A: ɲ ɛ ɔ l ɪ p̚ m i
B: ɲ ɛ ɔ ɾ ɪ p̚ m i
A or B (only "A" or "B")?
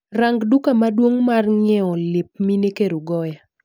A